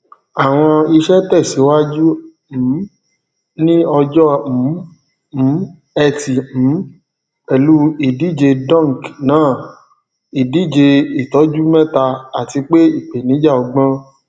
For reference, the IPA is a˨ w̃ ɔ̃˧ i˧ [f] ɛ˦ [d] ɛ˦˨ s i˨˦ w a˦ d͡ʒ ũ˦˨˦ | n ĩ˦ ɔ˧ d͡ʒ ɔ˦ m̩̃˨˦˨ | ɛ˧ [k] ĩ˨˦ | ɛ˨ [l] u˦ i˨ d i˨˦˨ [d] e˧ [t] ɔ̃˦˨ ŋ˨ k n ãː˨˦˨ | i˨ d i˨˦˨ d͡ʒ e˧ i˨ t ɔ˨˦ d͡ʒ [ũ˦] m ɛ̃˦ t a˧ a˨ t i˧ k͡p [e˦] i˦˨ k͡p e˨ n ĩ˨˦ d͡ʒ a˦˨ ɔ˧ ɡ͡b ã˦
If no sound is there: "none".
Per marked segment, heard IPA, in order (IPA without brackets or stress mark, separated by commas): ʃ, t, t, l, d͡ʒ, d, u˦, e˦